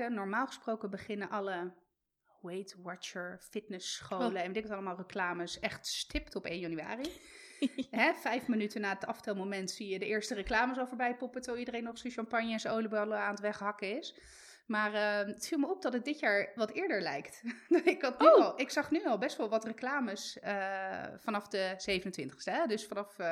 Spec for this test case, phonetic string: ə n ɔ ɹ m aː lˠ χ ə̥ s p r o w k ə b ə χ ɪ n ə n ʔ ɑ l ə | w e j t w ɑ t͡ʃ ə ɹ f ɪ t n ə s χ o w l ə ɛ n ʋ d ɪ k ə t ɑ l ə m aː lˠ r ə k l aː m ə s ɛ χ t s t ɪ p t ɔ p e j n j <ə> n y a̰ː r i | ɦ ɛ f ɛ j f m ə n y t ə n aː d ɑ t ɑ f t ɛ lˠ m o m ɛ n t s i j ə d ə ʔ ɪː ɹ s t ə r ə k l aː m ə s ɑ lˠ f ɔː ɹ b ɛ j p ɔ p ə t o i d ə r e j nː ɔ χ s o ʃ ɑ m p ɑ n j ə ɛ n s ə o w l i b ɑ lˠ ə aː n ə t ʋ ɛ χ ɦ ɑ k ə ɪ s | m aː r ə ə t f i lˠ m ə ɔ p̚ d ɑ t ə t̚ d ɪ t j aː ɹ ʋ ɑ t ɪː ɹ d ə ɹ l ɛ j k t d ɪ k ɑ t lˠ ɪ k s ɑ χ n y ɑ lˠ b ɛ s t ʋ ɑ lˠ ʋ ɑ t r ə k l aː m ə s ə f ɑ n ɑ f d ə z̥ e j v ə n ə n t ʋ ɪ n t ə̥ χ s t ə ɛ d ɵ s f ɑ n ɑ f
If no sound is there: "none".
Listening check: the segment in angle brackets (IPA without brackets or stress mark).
ɑ